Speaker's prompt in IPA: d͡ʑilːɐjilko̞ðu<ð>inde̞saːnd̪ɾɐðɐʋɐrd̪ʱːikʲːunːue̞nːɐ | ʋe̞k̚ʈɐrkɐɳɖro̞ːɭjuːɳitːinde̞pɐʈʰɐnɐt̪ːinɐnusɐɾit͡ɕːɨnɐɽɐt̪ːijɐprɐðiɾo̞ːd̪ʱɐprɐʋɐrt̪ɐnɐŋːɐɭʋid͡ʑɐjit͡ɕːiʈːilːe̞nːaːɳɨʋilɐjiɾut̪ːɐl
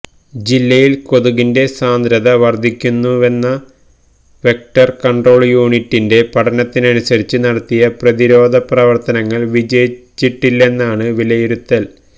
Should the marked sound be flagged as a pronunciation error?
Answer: yes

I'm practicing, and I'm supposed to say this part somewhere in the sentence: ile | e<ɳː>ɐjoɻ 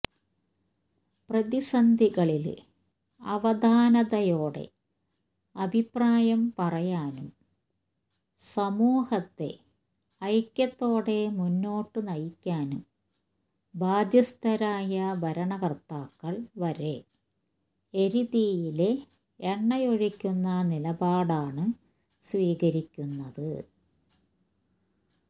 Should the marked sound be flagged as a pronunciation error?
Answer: no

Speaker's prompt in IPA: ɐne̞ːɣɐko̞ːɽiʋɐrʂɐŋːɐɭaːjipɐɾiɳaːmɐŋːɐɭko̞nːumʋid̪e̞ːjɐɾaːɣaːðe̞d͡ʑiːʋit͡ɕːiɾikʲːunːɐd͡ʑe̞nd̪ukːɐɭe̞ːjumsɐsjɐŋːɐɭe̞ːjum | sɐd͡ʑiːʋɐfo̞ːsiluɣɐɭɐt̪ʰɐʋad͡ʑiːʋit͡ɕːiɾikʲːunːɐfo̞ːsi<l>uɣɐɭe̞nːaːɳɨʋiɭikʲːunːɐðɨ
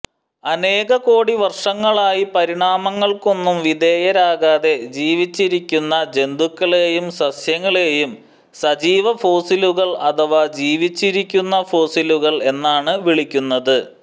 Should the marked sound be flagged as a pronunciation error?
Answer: no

